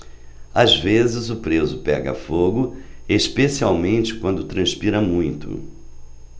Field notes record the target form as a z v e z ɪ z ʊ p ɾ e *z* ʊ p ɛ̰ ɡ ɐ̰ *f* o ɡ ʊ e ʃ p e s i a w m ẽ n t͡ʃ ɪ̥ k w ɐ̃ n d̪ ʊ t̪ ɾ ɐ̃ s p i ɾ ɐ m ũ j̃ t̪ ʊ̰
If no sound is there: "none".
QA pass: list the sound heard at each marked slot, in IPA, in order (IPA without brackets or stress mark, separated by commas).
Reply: z, f